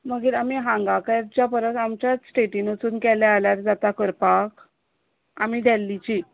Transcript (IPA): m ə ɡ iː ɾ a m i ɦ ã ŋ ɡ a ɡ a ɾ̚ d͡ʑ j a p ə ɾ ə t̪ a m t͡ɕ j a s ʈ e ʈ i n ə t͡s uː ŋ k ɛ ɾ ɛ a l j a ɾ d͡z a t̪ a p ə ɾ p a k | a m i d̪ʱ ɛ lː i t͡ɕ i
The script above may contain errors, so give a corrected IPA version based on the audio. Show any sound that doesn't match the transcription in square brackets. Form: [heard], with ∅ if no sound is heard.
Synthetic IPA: m ə ɡ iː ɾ a m i ɦ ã ŋ ɡ a [k] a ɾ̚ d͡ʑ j a p ə ɾ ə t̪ a m t͡ɕ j a s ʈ e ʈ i n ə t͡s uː [n] k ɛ [l] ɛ a l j a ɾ d͡z a t̪ a [k] ə ɾ p a k | a m i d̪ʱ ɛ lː i t͡ɕ i